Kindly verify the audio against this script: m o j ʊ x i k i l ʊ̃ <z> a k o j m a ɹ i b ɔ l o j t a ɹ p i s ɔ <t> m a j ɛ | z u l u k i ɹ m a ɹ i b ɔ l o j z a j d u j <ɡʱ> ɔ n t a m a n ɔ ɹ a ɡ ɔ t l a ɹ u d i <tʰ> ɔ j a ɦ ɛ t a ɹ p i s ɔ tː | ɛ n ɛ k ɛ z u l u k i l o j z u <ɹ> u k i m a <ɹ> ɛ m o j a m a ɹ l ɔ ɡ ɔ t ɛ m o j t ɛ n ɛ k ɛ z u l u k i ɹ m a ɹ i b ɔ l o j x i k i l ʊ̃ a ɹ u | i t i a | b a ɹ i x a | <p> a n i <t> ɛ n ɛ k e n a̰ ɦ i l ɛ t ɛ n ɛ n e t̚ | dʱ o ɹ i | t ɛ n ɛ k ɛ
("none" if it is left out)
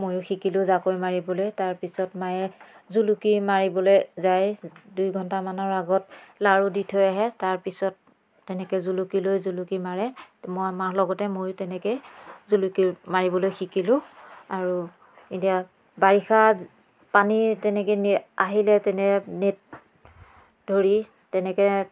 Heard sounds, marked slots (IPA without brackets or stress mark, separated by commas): z, t, ɡʱ, tʰ, l, ɹ, p, t